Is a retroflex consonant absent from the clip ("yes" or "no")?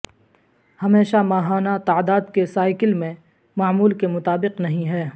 yes